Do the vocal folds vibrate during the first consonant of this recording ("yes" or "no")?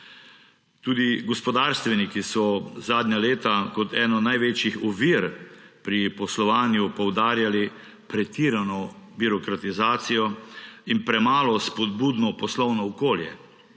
no